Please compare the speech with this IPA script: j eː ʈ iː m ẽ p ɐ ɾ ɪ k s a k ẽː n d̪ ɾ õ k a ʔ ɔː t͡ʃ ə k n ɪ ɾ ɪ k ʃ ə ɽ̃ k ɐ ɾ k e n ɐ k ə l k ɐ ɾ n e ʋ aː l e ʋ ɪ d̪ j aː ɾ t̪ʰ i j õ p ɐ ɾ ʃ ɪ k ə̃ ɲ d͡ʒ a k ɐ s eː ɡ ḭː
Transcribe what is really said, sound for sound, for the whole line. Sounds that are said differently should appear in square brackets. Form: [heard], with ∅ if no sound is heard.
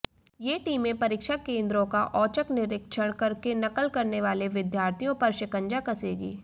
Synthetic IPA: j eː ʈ iː m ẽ p ɐ ɾ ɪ k [ʃ] a k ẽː n d̪ ɾ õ k a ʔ ɔː t͡ʃ ə k n ɪ ɾ ɪ k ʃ ə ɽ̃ k ɐ ɾ k e n ɐ k ə l k ɐ ɾ n e ʋ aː l e ʋ ɪ d̪ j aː ɾ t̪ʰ i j õ p ɐ ɾ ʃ ɪ k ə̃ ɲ d͡ʒ a k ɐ s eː ɡ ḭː